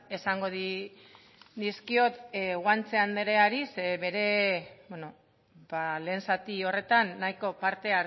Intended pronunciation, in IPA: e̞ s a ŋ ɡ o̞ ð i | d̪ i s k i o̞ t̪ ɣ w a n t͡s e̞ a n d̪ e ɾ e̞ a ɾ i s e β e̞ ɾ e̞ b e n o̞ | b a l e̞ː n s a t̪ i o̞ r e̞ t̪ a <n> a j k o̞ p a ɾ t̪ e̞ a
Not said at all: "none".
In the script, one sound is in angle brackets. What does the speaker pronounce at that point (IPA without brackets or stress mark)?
nː